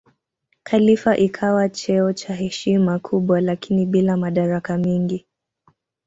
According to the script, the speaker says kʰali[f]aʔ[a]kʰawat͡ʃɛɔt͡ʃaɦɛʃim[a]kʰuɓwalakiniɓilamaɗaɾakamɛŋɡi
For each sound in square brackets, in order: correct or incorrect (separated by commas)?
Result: correct, incorrect, correct